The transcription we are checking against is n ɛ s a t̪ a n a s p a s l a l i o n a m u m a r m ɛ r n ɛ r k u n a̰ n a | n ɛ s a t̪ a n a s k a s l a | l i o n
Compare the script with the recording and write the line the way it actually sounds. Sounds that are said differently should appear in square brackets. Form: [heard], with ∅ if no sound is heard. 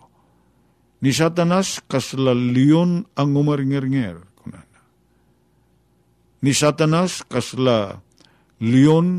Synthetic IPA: n [i] s a t̪ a n a s [k] a s l a l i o n a [ŋ] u m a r [ŋ] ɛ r [ŋ] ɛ r k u n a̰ n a | n [i] s a t̪ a n a s k a s l a | l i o n